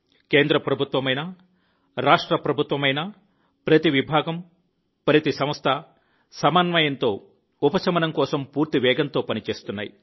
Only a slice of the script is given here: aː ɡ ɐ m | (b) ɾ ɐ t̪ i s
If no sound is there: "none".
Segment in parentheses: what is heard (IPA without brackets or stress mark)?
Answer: p